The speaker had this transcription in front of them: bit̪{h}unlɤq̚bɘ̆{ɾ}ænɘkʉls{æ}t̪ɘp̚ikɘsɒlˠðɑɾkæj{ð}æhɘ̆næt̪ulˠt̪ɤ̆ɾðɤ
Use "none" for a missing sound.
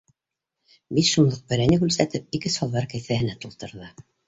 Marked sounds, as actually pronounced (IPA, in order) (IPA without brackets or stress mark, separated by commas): ʃ, ɾ, æ, θ